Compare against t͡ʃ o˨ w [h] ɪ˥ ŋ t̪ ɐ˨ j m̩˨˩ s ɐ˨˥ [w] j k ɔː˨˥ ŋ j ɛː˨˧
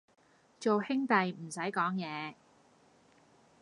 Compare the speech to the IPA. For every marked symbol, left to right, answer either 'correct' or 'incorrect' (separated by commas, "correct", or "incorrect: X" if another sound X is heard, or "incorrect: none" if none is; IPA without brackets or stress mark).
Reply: correct, incorrect: none